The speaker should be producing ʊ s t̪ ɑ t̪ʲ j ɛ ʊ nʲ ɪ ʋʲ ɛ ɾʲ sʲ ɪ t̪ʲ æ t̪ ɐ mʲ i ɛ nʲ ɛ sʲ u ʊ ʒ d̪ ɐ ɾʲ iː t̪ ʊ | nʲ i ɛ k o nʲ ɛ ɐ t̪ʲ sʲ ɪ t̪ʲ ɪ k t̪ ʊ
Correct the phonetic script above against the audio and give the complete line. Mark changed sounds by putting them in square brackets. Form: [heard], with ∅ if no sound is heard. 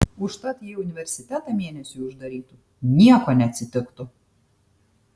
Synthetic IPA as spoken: ʊ [ʃ] t̪ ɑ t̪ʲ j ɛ ʊ nʲ ɪ ʋʲ ɛ ɾʲ sʲ ɪ t̪ʲ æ t̪ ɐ mʲ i ɛ nʲ ɛ sʲ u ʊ ʒ d̪ ɐ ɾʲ iː t̪ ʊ | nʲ i ɛ k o nʲ ɛ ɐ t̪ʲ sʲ ɪ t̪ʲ ɪ k t̪ ʊ